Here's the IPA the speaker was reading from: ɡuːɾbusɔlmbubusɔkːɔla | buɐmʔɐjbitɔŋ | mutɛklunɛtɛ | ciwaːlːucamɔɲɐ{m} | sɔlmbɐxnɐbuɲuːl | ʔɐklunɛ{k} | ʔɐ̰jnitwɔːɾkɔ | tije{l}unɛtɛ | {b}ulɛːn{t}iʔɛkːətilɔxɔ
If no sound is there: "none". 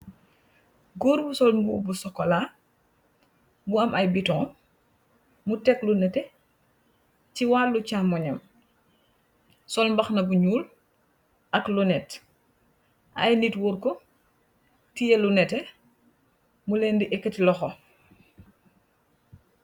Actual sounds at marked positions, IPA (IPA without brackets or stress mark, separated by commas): m, t, l, m, d